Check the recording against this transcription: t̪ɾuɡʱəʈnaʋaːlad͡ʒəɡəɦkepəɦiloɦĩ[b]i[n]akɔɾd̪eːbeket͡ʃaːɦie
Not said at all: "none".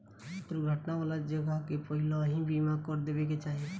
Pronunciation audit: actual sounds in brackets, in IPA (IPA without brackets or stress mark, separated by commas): b, m